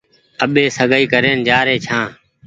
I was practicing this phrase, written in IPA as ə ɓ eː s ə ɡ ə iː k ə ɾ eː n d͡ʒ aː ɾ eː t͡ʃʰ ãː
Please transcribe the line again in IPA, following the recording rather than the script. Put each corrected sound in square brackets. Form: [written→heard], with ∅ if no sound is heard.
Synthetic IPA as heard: ə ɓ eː s ə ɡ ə iː k ə ɾ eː n d͡ʒ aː ɾ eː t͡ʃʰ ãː